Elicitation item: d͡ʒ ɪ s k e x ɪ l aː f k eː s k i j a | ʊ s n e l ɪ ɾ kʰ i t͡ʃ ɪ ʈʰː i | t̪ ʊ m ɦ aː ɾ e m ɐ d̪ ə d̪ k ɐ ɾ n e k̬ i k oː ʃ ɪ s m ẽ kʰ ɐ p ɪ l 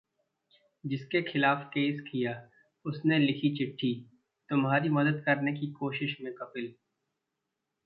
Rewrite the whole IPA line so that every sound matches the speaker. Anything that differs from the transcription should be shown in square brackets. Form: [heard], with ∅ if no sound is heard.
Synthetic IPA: d͡ʒ ɪ s k e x ɪ l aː f k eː s k i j a | ʊ s n e l ɪ [∅] kʰ i t͡ʃ ɪ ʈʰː i | t̪ ʊ m ɦ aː ɾ [i] m ɐ d̪ ə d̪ k ɐ ɾ n e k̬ i k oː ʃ ɪ [ʃ] m ẽ [k] ɐ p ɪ l